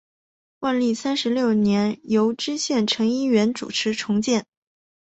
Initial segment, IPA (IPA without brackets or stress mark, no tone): w